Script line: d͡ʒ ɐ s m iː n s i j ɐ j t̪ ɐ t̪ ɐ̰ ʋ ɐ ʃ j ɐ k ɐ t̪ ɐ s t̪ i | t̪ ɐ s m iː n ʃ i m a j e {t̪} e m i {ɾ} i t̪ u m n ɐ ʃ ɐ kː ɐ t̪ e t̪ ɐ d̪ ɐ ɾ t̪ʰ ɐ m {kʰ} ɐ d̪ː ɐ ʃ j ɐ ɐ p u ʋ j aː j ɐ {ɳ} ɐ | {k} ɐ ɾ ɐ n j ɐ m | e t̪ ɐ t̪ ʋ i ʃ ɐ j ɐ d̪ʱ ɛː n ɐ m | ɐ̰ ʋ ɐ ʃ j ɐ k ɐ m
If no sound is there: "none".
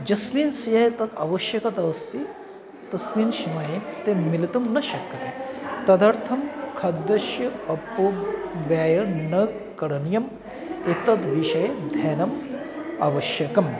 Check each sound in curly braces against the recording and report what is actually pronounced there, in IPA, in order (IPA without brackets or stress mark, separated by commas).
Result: t̪, l, kʰ, n, k